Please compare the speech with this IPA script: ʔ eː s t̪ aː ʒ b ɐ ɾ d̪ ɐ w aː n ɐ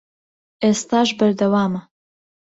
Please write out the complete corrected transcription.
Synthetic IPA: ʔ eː s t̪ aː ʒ b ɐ ɾ d̪ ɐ w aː m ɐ